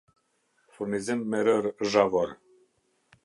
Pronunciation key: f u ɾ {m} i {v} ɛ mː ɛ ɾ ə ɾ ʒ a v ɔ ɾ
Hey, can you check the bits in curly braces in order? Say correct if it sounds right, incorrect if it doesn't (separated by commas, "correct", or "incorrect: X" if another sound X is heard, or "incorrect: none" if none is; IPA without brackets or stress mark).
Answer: incorrect: n, incorrect: z